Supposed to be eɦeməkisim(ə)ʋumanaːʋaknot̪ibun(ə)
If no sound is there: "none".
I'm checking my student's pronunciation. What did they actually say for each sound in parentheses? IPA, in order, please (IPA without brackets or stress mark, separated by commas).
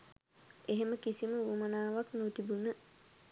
ə, ə